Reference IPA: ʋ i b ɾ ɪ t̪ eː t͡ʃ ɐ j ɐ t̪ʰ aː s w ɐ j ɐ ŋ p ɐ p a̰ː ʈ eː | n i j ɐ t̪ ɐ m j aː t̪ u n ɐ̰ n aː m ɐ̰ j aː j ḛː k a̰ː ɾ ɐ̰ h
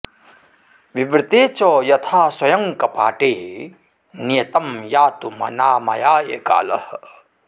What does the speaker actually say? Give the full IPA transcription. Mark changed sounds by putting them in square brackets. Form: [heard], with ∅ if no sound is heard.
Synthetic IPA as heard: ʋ i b ɾ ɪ t̪ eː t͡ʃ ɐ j ɐ t̪ʰ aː s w ɐ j ɐ ŋ [k] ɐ p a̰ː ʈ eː | n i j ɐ t̪ ɐ m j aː t̪ u [m] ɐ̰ n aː m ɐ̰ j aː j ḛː k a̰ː [l] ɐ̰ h